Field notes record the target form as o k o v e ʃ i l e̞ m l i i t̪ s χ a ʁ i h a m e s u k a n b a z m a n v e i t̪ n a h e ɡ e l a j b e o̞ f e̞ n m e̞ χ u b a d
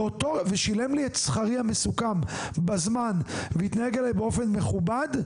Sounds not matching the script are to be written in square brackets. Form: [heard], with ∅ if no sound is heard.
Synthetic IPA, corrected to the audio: o [t] o v e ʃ i l e̞ m l i [e] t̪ s χ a ʁ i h a m e s u k a [m] b a z m a n v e i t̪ n a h e ɡ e l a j b e o̞ f e̞ n m e̞ χ u b a d